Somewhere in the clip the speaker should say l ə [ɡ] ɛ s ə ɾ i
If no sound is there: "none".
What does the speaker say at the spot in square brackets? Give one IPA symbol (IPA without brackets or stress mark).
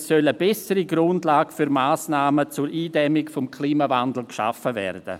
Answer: b